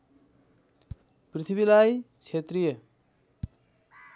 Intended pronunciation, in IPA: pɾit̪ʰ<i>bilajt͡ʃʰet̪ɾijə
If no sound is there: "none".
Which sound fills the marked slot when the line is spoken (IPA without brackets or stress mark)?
i